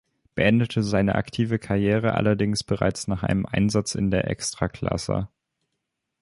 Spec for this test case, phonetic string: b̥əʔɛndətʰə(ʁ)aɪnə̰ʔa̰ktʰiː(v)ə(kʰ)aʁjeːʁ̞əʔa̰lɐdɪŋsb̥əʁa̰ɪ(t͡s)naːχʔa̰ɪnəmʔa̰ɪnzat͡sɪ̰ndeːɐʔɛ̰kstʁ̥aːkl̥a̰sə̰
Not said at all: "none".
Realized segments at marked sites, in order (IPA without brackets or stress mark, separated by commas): z, v, kʰ, t͡s